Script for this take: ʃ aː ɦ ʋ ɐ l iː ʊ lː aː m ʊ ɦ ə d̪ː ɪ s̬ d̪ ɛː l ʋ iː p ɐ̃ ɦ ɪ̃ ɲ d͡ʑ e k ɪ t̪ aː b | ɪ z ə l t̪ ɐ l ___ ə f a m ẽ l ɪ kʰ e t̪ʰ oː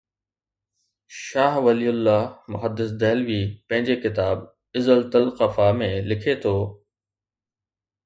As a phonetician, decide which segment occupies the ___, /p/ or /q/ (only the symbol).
q